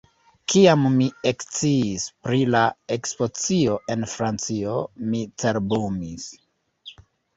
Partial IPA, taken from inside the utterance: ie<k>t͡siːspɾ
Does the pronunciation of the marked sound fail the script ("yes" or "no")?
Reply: no